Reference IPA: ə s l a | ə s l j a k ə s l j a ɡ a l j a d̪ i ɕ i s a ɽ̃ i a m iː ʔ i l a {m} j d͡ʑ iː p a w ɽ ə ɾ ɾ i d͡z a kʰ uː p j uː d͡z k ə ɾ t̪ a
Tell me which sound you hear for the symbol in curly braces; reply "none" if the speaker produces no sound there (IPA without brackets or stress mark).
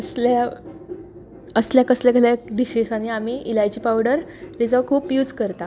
none